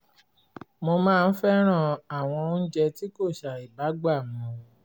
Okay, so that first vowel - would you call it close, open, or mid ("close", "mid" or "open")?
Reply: mid